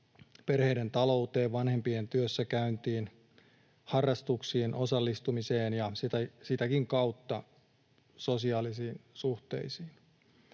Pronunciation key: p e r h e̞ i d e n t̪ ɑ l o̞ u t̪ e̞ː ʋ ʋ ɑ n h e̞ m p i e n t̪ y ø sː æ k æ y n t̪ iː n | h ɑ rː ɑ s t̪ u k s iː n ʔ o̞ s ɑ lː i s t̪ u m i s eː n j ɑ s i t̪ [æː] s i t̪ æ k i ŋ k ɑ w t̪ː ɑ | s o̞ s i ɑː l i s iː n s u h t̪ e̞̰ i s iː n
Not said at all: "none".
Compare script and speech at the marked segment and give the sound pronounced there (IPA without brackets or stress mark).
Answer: æ